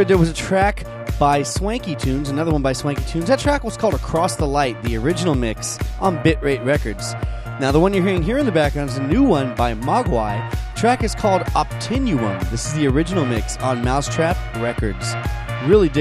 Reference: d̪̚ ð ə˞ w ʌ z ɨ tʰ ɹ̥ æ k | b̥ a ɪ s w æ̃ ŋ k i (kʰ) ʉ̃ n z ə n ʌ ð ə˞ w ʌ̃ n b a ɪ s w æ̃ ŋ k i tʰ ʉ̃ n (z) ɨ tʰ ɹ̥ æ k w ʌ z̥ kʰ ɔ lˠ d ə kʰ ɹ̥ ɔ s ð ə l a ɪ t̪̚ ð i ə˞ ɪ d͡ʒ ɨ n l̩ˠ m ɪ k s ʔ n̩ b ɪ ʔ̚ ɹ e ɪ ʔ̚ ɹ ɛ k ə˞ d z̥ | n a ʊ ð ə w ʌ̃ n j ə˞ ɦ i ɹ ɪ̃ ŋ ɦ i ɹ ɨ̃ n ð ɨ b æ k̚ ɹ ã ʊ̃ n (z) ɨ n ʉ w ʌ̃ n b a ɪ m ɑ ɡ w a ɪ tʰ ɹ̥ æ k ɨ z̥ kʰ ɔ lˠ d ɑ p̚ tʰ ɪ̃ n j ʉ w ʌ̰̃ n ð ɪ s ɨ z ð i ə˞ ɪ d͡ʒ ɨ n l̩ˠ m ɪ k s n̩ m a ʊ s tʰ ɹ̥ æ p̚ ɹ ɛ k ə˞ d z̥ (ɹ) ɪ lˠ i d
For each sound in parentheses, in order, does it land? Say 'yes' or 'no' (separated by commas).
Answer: no, yes, yes, yes